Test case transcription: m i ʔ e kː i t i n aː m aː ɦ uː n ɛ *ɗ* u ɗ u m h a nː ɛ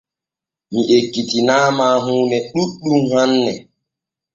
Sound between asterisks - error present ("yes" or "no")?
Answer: no